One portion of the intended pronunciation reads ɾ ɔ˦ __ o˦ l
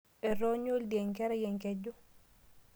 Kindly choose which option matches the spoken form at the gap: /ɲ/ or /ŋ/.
ɲ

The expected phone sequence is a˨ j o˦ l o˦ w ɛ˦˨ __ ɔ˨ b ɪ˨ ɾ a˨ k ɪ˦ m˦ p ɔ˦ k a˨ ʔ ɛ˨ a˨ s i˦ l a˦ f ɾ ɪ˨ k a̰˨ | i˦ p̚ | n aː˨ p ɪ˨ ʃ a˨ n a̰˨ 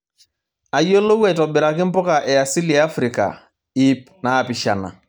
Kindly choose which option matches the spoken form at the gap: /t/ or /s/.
t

